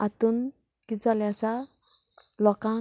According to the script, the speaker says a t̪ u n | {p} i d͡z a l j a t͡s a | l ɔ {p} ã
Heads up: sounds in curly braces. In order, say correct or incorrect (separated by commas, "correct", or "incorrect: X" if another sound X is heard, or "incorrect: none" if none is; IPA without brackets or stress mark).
incorrect: k, incorrect: k